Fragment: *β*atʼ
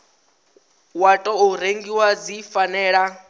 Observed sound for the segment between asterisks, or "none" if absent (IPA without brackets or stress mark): w